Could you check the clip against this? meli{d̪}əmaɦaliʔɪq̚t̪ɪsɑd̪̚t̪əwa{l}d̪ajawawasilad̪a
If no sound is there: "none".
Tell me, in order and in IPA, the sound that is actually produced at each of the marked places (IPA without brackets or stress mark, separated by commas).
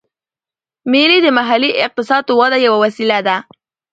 d̪, none